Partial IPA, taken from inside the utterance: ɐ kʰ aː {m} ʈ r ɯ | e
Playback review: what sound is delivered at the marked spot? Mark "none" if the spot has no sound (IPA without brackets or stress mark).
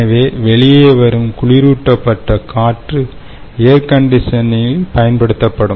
none